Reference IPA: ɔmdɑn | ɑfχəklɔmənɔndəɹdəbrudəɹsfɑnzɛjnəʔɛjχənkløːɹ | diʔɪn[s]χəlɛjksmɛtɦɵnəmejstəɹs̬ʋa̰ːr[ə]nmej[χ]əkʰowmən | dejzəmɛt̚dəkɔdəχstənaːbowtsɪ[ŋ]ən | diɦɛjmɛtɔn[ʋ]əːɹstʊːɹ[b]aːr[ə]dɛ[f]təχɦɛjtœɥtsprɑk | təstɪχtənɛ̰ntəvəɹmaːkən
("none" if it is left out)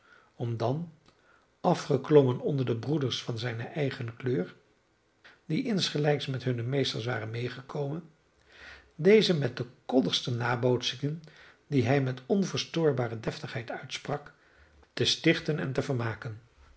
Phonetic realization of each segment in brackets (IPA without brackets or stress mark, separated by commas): s, ə, χ, ŋ, v, b, ə, f